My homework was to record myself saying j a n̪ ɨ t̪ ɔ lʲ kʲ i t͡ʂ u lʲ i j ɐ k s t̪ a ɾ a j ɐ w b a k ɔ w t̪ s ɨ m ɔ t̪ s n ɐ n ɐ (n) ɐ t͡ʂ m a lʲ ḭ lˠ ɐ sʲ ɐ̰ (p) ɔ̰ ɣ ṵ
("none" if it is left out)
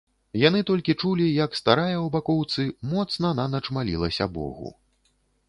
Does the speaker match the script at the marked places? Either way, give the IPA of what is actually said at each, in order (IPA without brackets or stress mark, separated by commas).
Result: n, b